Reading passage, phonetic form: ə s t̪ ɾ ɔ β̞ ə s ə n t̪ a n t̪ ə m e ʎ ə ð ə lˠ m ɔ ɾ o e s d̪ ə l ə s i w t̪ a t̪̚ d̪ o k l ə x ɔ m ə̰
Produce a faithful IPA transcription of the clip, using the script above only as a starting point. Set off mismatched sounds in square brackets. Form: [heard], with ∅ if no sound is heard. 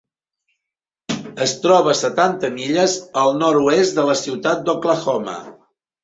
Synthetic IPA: ə s t̪ ɾ ɔ β̞ ə s ə [∅] t̪ a n t̪ ə m [i] ʎ ə [z] ə lˠ [n] ɔ ɾ [u] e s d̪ ə l ə s i w t̪ a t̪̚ d̪ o k l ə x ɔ m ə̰

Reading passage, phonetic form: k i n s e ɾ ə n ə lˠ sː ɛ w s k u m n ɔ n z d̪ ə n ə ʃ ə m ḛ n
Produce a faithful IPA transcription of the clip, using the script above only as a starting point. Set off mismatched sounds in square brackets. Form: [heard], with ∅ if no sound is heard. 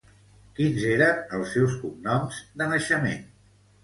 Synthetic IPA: k i n [z] e ɾ ə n ə lˠ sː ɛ w s k u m n ɔ [m] z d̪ ə n ə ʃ ə m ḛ n

